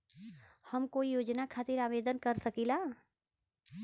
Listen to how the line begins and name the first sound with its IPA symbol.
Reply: h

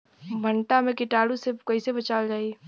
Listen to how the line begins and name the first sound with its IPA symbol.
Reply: bʱ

